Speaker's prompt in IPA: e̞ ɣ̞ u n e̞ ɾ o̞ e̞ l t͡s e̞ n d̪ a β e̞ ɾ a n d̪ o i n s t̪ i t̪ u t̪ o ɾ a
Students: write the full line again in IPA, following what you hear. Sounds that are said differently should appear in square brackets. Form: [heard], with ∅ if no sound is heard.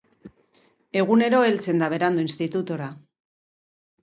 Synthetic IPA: e̞ ɣ̞ u n e̞ ɾ o̞ e̞ l t͡s e̞ n d̪ a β e̞ ɾ a n d̪ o i n s t̪ i t̪ u t̪ o ɾ a